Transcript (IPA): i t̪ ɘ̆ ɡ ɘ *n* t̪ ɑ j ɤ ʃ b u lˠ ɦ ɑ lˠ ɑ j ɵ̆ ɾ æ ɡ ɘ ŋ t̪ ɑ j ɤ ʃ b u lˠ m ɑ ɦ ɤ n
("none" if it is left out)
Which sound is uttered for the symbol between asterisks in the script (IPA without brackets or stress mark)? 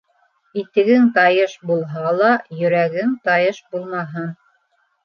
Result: ŋ